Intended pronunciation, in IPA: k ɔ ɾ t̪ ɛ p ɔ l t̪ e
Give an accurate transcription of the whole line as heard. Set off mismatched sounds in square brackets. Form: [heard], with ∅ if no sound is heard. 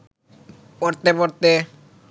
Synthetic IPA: [p] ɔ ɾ t̪ [e] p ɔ [ɾ] t̪ e

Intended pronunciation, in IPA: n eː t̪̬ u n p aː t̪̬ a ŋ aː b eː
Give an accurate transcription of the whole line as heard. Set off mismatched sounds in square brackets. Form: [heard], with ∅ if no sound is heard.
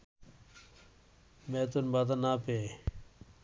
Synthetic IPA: [m] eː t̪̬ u n [b] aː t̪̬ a [n] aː [p] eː

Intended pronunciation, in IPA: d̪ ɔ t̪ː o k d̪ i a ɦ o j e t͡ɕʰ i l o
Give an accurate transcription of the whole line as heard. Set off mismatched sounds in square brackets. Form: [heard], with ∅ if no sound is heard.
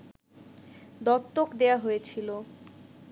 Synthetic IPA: d̪ ɔ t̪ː o k d̪ [e] a ɦ o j e t͡ɕʰ i l o

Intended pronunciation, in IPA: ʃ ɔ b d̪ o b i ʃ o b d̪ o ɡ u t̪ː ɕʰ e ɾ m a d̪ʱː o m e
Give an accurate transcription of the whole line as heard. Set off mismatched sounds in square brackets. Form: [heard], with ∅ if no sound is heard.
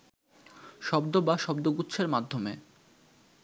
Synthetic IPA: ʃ ɔ b d̪ o b [a] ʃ [ɔ] b d̪ o ɡ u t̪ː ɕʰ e ɾ m a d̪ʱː o m e

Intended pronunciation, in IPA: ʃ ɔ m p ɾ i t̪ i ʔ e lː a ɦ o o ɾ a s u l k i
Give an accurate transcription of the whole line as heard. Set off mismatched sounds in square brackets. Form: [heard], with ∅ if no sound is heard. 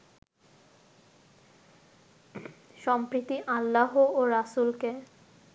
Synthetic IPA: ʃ ɔ m p ɾ i t̪ i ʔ [a] lː a ɦ o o ɾ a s u l k [e]

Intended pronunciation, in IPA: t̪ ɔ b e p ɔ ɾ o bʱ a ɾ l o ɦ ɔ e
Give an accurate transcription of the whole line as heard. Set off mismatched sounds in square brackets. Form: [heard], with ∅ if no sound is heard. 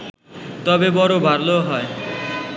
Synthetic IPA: t̪ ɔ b e [b] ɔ ɾ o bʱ a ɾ l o ɦ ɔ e

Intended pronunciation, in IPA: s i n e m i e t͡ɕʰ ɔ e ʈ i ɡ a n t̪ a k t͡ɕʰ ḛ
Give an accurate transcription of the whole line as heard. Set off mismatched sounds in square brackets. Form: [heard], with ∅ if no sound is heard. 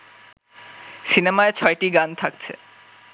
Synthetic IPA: s i n e m [a] e t͡ɕʰ ɔ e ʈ i ɡ a n [t̪ʰ] a k t͡ɕʰ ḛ

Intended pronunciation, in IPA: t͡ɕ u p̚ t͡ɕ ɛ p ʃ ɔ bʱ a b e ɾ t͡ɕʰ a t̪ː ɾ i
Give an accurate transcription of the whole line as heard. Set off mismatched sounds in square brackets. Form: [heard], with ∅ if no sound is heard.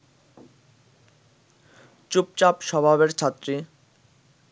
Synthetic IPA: t͡ɕ u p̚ t͡ɕ [a] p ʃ ɔ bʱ a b e ɾ t͡ɕʰ a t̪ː ɾ i

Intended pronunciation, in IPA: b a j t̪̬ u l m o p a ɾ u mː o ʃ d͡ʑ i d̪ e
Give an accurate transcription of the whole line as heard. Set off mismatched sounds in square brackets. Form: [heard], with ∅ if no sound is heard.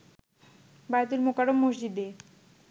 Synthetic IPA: b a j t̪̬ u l m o [k] a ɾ [o] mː o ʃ d͡ʑ i d̪ e

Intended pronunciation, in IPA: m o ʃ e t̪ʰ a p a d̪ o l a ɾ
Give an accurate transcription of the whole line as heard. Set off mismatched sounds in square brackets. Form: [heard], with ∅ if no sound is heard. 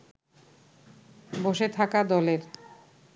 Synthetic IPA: [b] o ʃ e t̪ʰ a [k] a d̪ [ɔ] l [e] ɾ

